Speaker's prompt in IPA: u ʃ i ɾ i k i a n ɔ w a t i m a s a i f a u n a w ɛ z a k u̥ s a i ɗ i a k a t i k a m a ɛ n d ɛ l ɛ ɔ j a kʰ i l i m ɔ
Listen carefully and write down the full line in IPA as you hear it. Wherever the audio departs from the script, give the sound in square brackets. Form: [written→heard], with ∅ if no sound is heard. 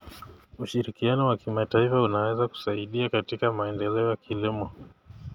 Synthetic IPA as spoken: u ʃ i ɾ i k i a n ɔ w a [t→k] i m a [s→t] a i f a u n a w ɛ z a k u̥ s a i ɗ i a k a t i k a m a ɛ n d ɛ l ɛ ɔ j a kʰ i l i m ɔ